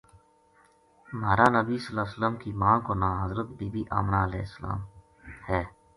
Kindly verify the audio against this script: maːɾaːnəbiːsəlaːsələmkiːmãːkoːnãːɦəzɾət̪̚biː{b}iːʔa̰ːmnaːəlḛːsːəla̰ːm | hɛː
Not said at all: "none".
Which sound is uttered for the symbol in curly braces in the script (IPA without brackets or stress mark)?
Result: b